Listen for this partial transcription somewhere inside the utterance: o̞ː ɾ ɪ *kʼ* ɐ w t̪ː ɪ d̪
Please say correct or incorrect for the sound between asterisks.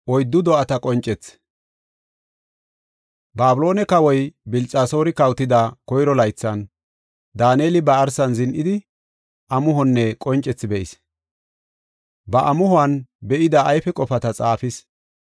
incorrect